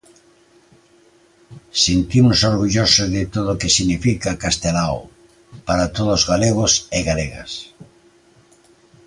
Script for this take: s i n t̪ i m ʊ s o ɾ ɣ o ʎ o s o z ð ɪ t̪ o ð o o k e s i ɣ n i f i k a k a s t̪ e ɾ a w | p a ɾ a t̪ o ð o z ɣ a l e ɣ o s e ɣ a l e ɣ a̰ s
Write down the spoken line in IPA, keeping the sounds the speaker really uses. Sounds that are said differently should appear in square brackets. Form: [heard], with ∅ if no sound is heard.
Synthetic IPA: s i n t̪ i m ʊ s o ɾ ɣ [u] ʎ o s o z ð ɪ t̪ o ð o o k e s i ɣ n i f i k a k a s t̪ e [l] a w | p a ɾ a t̪ o ð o z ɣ a l e ɣ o s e ɣ a l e ɣ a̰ s